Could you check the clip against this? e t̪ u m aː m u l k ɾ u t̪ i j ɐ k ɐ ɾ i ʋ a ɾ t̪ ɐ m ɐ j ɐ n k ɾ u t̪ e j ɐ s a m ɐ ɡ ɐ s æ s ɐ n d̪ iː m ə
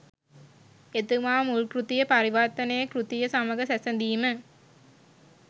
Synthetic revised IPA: e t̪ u m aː m u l k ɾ u t̪ i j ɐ p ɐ ɾ i ʋ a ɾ t̪ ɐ n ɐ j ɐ k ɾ u t̪ i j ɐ s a m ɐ ɡ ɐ s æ s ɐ n d̪ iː m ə